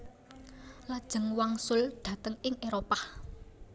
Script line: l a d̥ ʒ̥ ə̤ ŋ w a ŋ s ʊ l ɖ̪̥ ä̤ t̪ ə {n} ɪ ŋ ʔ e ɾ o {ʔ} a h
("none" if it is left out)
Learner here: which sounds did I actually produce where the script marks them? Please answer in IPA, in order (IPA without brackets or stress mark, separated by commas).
ŋ, p